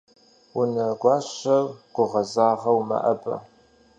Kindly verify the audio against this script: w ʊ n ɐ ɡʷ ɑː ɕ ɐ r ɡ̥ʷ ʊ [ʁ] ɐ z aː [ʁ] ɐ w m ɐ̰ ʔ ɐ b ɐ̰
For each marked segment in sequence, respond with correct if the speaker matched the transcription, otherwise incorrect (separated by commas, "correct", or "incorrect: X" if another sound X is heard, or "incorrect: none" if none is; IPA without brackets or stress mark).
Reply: correct, correct